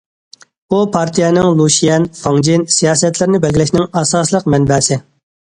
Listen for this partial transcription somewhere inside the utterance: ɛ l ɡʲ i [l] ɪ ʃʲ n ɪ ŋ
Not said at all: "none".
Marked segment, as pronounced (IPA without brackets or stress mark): l